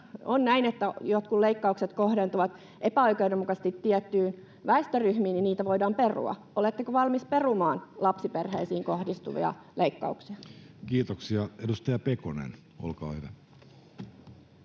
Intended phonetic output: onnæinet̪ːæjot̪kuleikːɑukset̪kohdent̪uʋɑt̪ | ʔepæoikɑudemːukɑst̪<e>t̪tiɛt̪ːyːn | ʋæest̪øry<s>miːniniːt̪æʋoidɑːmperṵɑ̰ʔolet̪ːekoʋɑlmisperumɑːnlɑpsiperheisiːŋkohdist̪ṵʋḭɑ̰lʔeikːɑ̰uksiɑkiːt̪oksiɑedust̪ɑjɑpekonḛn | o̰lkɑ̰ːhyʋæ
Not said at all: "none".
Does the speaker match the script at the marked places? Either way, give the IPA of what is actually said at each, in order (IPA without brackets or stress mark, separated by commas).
i, h